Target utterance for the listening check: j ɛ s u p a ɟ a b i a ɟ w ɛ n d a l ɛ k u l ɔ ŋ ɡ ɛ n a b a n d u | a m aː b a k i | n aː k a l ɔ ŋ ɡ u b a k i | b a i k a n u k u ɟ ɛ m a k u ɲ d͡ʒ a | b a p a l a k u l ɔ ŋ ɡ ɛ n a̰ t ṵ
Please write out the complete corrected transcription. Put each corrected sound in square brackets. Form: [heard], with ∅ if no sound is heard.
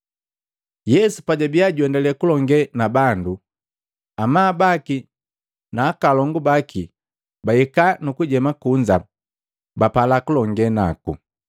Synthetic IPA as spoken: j ɛ s u p a ɟ a b i a ɟ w ɛ n d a l ɛ k u l ɔ ŋ ɡ ɛ n a b a n d u | a m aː b a k i | n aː k a l ɔ ŋ ɡ u b a k i | b a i k a n u k u ɟ ɛ m a k u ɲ d͡ʒ a | b a p a l a k u l ɔ ŋ ɡ ɛ n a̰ [k] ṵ